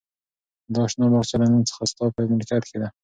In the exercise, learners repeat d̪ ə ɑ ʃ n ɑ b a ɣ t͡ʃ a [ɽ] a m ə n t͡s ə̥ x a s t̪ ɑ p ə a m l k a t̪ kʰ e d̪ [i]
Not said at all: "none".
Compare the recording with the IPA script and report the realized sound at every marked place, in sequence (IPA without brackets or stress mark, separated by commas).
l, a